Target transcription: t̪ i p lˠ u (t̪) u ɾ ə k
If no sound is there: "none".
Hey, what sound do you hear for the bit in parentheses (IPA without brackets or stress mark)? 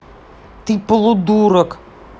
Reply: d̪